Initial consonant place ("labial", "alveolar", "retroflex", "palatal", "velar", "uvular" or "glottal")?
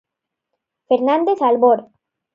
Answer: labial